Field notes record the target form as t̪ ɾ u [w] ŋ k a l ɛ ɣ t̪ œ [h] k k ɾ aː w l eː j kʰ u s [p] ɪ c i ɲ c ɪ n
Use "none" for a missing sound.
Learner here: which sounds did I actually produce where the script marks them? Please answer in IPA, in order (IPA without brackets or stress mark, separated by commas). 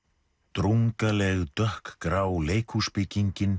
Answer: none, h, p